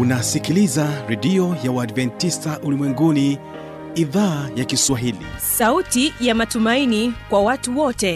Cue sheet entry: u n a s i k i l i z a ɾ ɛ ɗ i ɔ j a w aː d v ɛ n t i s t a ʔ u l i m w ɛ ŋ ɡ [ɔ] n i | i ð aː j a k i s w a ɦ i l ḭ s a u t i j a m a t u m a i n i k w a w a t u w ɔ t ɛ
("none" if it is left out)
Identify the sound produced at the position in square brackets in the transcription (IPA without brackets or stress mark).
u